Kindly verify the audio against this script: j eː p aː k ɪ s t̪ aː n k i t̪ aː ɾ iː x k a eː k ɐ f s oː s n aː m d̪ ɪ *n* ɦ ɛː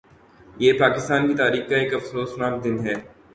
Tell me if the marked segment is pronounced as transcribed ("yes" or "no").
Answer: yes